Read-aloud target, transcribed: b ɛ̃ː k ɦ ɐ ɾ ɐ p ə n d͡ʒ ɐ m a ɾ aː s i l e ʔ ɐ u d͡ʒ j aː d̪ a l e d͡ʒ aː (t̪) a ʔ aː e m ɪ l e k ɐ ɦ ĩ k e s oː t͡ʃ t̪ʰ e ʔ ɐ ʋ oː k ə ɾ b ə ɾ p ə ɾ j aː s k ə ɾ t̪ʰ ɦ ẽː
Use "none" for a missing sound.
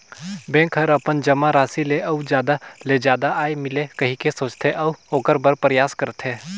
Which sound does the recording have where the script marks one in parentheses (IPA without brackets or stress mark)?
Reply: d̪